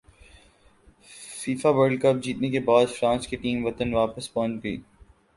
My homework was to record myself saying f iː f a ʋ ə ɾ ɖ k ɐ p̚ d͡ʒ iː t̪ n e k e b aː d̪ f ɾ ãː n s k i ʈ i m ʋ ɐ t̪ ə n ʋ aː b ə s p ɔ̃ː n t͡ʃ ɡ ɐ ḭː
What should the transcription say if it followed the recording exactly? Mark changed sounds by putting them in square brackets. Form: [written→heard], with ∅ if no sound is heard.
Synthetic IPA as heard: f iː f a ʋ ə ɾ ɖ k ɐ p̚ d͡ʒ iː t̪ n e k e b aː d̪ f ɾ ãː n s k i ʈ [i→iː] m ʋ ɐ t̪ ə n ʋ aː [b→p] ə s p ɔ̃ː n t͡ʃ ɡ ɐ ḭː